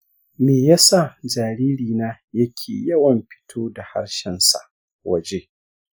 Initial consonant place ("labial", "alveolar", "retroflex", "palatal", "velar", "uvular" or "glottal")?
labial